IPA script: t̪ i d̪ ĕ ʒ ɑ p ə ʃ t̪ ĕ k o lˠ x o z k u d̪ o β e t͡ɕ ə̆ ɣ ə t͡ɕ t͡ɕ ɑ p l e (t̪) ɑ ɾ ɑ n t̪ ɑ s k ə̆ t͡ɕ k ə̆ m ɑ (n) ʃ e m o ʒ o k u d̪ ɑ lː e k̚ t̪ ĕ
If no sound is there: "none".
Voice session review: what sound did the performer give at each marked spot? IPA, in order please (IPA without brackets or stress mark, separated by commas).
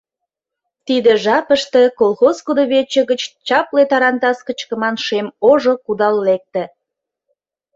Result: t̪, n